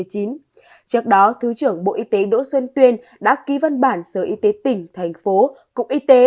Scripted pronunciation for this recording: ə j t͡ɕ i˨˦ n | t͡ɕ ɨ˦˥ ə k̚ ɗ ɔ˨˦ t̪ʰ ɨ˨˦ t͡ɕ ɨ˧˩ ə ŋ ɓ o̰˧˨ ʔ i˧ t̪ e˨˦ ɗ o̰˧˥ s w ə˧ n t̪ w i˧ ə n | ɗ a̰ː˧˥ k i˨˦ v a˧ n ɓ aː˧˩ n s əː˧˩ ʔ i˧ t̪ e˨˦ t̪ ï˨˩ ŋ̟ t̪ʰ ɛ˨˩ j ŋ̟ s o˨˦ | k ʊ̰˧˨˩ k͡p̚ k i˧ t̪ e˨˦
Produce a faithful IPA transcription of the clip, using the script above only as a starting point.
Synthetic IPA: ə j t͡ɕ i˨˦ n | t͡ɕ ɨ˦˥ ə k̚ ɗ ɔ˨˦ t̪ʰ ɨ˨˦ t͡ɕ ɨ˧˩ ə ŋ ɓ o̰˧˨ ʔ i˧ t̪ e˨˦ ɗ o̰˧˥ s w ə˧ n t̪ w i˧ ə n | ɗ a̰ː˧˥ k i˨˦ v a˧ n ɓ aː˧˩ n s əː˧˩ ʔ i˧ t̪ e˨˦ t̪ ï˨˩ ŋ̟ t̪ʰ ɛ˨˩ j ŋ̟ f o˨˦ | k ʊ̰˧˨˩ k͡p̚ ʔ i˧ t̪ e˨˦